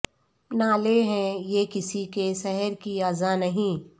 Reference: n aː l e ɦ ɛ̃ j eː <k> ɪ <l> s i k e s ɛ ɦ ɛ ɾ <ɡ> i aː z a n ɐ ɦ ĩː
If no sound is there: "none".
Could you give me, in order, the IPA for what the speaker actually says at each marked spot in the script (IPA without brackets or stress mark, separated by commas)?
k, none, k